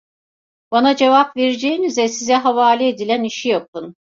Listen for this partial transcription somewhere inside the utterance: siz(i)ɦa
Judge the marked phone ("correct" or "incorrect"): incorrect